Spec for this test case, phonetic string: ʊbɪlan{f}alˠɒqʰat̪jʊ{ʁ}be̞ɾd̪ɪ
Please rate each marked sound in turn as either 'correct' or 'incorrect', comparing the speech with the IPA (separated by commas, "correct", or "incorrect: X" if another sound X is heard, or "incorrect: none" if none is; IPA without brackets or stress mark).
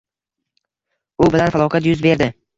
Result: correct, incorrect: z